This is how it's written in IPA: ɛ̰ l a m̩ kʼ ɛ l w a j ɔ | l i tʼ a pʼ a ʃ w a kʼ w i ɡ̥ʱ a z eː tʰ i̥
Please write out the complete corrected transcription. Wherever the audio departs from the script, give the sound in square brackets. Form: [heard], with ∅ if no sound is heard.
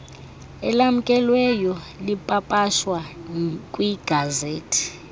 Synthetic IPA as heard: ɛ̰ l a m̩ kʼ ɛ l w [ɛ] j ɔ | l i [pʼ] a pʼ a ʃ w a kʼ w i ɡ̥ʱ a z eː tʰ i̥

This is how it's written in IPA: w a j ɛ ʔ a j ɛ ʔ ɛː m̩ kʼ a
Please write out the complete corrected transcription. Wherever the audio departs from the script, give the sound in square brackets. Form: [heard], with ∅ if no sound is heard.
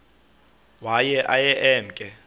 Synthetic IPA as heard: w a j ɛ ʔ a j ɛ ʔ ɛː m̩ kʼ [ɛ]

